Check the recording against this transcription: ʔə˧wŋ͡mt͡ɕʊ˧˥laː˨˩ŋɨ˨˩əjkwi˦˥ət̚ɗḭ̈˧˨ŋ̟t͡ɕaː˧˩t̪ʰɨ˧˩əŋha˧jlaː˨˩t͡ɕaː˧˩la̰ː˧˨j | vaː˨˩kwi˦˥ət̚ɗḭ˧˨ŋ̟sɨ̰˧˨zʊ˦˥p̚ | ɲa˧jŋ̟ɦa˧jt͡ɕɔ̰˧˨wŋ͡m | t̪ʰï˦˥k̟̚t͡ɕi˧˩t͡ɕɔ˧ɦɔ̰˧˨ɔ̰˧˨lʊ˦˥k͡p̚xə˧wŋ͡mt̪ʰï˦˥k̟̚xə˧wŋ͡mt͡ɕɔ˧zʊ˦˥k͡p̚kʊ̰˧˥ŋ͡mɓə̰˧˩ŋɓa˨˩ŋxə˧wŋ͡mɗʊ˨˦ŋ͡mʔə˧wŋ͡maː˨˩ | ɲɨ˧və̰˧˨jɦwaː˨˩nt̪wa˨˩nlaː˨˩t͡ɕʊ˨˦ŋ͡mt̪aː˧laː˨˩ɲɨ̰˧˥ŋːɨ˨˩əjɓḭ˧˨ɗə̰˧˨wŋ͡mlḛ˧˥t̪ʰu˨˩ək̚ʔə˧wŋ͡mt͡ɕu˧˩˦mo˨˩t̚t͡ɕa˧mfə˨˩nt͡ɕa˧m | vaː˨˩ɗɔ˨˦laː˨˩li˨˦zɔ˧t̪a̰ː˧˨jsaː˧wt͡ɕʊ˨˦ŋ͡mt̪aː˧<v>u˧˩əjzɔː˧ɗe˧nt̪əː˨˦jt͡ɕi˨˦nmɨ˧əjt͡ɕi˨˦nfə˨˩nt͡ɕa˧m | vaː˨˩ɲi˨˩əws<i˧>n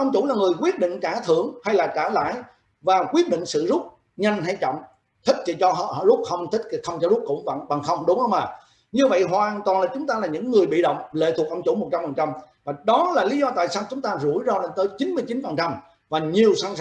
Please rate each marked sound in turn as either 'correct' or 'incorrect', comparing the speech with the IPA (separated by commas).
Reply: incorrect, incorrect